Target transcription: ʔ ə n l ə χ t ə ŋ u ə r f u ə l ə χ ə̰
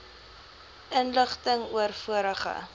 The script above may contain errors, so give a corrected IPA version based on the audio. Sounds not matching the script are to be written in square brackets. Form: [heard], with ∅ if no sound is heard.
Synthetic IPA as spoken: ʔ ə n l ə χ t ə ŋ u ə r f u ə [ɾ] ə χ ə̰